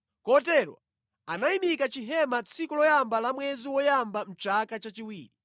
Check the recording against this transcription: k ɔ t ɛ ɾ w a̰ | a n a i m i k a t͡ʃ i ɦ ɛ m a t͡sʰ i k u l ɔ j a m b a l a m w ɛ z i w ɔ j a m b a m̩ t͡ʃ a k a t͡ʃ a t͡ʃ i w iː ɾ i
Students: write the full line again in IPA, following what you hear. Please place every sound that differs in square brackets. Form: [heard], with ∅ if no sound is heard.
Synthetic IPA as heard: k ɔ t ɛ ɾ w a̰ | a n a i m i k a t͡ʃ i ɦ ɛ m a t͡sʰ i k u l ɔ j a m b a l a m w ɛ z i w ɔ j a m b a m̩ t͡ʃ a k a t͡ʃ a t͡ʃ i w iː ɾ i